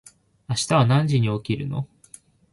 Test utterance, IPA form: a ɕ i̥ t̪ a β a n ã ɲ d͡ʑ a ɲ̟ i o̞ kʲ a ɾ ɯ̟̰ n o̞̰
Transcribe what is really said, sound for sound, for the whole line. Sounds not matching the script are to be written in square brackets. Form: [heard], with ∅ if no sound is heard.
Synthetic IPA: a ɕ i̥ t̪ a β a n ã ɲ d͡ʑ [i] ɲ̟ i o̞ kʲ [i] ɾ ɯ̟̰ n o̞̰

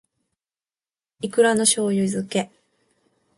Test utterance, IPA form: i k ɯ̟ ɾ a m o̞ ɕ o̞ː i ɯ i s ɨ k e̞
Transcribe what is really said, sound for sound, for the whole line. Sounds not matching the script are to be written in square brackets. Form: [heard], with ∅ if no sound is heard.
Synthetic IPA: i k ɯ̟ ɾ a [n] o̞ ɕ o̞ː [j] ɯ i [z] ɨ k e̞

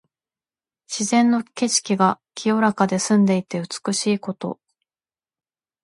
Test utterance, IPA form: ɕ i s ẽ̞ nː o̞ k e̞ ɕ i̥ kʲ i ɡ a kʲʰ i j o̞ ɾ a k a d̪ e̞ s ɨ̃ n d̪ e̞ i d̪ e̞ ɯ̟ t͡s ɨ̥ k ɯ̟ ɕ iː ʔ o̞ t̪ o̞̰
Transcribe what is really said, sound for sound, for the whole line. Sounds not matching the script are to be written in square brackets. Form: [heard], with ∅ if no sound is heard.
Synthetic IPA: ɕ i [z] ẽ̞ nː o̞ k e̞ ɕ i̥ kʲ i ɡ a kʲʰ i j o̞ ɾ a k a d̪ e̞ s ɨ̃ n d̪ e̞ i [t̪] e̞ ɯ̟ t͡s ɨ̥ k ɯ̟ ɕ iː [k] o̞ t̪ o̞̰

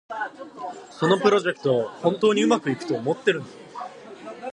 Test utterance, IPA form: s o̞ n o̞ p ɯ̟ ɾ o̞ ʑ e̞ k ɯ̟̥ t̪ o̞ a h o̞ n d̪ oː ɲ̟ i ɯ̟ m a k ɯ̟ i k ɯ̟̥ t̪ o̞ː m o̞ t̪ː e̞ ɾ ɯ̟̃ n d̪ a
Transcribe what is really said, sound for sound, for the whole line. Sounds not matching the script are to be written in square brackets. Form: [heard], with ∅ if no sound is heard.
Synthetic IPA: s o̞ n o̞ p ɯ̟ ɾ o̞ ʑ e̞ k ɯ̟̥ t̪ o̞ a h [õ̞] n [t̪] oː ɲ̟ i ɯ̟ m a k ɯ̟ i k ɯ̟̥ t̪ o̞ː m o̞ t̪ː e̞ ɾ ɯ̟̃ n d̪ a

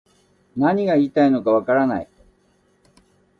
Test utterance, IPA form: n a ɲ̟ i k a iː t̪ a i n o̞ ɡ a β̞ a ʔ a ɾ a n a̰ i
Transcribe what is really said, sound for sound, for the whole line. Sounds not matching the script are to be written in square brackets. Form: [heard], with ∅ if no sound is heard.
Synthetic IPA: n a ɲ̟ i [ɡ] a iː t̪ a i n o̞ [k] a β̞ a [k] a ɾ a n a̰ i

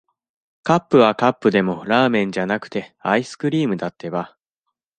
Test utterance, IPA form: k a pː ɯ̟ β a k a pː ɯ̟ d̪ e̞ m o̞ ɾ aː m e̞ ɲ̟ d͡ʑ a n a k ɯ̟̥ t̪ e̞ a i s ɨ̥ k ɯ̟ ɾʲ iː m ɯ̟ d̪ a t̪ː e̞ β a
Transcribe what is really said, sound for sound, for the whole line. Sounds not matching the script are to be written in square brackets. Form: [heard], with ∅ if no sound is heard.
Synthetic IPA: k a pː ɯ̟ β a k a pː ɯ̟ d̪ e̞ m o̞ ɾ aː m [ẽ̞] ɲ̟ d͡ʑ a n a k ɯ̟̥ t̪ e̞ a i s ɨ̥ k ɯ̟ ɾʲ iː m ɯ̟ d̪ a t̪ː e̞ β a

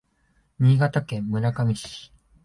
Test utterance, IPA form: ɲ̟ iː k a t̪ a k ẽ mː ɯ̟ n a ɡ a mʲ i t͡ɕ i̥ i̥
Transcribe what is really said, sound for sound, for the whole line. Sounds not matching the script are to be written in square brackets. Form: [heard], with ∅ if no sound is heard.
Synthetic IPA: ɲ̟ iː [ɡ] a t̪ a k ẽ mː ɯ̟ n a [k] a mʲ i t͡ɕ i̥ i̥

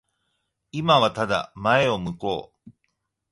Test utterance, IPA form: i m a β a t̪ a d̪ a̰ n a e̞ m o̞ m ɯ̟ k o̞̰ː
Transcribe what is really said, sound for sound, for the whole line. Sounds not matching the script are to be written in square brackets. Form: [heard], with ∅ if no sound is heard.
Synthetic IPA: i m a β a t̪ a d̪ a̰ [m] a e̞ [∅] o̞ m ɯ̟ k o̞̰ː

